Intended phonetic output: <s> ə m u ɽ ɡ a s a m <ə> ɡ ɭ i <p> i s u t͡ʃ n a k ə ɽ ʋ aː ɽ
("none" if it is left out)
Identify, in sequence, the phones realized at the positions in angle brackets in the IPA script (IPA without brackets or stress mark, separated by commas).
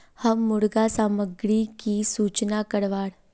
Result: h, ə, k